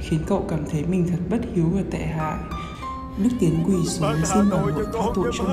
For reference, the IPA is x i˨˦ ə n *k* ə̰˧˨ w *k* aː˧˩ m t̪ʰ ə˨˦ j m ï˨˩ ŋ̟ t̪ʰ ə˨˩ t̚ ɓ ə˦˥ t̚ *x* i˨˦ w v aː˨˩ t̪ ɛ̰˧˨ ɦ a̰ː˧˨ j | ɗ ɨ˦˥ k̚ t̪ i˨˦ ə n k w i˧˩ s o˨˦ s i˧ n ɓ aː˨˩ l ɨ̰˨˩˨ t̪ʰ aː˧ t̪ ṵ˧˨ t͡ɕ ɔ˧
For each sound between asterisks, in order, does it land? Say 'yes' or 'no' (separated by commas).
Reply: yes, yes, no